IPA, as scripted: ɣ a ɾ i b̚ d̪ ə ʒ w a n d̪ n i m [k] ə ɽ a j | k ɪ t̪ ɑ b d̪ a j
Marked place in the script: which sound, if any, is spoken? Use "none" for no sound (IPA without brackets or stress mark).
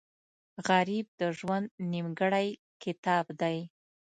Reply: ɡ